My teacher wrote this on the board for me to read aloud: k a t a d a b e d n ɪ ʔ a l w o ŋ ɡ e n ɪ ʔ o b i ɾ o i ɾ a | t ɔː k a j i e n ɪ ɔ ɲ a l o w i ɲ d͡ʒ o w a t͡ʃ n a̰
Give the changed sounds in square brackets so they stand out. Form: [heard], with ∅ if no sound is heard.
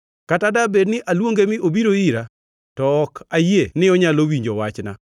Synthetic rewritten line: k a t a d a b e d n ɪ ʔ a l w o ŋ ɡ e [m] ɪ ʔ o b i ɾ o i ɾ a | t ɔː k a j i e n ɪ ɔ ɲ a l o w i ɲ d͡ʒ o w a t͡ʃ n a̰